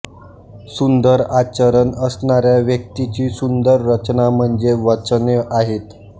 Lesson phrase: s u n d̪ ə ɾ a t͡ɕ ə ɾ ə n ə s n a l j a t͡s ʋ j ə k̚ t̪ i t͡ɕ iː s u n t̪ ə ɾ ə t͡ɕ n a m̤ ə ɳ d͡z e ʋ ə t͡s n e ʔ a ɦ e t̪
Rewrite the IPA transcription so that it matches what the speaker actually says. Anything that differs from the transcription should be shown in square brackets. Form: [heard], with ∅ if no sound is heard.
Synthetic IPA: s u n d̪ ə ɾ a t͡ɕ ə ɾ ə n ə s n a [ɾ] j a [∅] ʋ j ə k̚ t̪ i t͡ɕ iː s u n [d̪] ə [ɾː] ə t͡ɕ n a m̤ ə ɳ d͡z e ʋ ə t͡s n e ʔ a ɦ e t̪